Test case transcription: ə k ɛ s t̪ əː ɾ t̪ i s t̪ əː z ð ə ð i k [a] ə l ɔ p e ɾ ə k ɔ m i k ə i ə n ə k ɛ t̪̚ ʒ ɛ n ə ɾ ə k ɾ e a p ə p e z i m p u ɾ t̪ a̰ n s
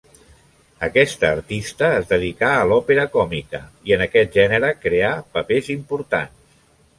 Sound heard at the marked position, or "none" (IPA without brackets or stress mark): a